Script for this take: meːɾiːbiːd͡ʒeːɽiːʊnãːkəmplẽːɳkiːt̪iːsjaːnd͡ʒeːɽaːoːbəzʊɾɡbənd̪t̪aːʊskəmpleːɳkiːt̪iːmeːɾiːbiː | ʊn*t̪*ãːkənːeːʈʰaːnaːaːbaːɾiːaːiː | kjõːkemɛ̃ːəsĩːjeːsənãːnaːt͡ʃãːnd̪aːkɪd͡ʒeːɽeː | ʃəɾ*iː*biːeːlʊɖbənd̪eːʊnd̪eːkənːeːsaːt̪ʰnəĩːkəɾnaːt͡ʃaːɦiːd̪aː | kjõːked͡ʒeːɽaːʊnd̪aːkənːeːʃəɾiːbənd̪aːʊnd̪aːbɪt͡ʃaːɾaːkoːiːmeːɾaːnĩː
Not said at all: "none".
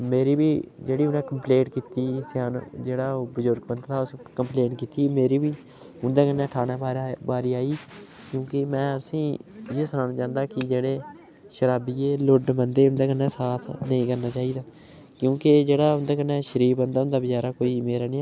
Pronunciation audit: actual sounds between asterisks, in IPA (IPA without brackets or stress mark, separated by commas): d̪, aː